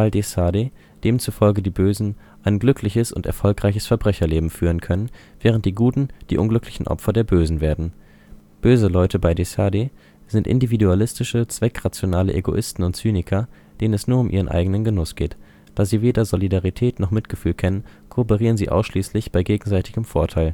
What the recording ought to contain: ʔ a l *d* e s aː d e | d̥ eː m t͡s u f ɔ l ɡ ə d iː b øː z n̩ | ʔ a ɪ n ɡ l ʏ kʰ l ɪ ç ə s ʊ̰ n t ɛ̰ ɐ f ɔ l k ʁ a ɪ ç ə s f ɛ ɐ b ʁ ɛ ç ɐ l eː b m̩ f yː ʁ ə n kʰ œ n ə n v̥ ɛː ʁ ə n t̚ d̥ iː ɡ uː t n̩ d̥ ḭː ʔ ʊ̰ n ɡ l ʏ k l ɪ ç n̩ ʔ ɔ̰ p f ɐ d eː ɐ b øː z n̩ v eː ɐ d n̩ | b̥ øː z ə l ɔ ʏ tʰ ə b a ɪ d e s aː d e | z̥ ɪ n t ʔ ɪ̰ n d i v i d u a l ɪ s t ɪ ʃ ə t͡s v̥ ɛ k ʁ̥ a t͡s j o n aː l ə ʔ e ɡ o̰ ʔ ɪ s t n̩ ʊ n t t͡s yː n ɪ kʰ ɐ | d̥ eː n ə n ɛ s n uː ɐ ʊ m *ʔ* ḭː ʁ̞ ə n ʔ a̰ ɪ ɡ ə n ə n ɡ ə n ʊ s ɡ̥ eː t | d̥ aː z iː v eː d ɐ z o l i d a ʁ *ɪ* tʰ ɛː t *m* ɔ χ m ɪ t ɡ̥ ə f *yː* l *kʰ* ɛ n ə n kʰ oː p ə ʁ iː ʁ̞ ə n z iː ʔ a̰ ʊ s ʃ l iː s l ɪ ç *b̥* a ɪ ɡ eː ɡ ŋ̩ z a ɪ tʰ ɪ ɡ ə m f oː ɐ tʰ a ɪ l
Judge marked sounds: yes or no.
yes, yes, no, no, yes, yes, yes

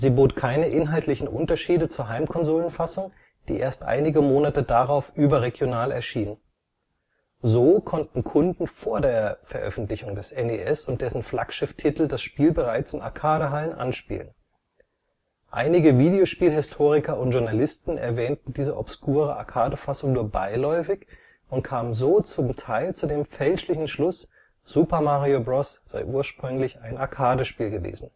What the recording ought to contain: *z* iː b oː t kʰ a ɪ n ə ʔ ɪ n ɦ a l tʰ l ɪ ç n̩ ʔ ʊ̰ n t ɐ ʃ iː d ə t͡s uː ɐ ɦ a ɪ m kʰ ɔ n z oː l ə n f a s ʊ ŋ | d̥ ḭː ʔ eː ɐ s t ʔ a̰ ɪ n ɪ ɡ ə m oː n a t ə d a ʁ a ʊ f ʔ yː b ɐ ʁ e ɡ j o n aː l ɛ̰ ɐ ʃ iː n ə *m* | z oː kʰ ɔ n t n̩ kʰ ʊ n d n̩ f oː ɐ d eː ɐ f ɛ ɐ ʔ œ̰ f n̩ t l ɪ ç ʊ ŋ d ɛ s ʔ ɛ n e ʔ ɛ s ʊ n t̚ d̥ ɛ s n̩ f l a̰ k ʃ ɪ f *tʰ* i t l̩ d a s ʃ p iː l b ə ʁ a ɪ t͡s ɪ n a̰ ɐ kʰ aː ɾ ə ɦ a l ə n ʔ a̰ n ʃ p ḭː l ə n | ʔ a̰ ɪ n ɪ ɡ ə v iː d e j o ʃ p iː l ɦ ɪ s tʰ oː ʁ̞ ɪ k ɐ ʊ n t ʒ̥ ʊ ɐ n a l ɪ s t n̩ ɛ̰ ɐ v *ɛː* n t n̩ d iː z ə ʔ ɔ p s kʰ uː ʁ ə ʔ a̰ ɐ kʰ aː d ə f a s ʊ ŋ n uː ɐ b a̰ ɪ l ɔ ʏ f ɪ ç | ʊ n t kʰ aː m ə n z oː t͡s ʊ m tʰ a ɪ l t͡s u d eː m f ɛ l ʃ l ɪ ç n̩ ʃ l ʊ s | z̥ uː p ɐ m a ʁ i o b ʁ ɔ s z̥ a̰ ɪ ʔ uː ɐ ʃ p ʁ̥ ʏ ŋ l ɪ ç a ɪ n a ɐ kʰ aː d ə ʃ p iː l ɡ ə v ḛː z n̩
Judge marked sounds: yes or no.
yes, no, yes, yes

